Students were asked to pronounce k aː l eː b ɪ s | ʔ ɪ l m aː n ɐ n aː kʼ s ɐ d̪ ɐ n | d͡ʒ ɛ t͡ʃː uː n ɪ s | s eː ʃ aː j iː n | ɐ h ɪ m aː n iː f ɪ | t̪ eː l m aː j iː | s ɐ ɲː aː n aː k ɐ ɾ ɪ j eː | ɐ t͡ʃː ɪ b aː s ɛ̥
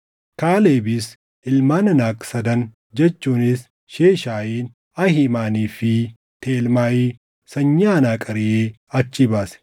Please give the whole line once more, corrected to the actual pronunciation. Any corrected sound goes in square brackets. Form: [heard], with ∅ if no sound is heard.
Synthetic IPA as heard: k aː l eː b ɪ s | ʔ ɪ l m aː n ɐ n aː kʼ s ɐ d̪ ɐ n | d͡ʒ ɛ t͡ʃː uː n ɪ s | [ʃ] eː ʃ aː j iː n | ɐ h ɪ m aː n iː f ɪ | t̪ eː l m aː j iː | s ɐ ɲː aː n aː [kʼ] ɐ ɾ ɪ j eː | ɐ t͡ʃː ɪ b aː s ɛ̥